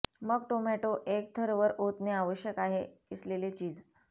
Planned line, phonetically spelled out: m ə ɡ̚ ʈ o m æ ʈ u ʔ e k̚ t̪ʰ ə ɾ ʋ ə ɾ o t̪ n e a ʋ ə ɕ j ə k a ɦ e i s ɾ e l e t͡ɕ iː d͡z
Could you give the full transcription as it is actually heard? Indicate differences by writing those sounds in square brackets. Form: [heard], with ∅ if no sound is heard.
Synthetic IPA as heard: m ə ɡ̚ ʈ o m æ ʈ [o] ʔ e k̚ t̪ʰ ə ɾ ʋ ə ɾ o t̪ n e a ʋ ə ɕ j ə k a ɦ e i s [l] e l e t͡ɕ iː d͡z